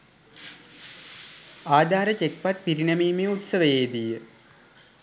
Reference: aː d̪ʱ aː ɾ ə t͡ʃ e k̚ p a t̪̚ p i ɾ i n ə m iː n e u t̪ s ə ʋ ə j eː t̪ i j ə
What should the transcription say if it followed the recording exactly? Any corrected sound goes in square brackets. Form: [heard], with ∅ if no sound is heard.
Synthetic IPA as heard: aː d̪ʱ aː ɾ ə t͡ʃ e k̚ p a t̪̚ p i ɾ i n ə m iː [m] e u t̪ s ə ʋ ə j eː [d̪] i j ə